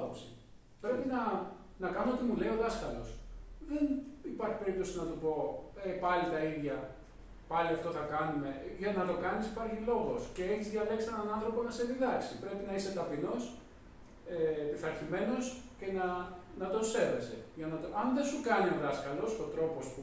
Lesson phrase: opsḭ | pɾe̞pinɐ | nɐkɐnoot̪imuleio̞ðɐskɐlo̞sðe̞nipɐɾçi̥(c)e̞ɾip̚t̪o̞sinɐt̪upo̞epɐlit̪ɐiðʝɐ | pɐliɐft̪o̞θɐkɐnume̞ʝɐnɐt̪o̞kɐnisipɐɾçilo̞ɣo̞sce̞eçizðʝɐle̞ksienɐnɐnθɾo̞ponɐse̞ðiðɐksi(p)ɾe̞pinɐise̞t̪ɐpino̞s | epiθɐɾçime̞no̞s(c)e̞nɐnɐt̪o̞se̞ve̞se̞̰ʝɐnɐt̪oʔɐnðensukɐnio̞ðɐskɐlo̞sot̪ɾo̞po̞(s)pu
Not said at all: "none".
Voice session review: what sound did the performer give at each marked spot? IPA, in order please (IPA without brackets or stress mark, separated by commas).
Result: p, p, c, s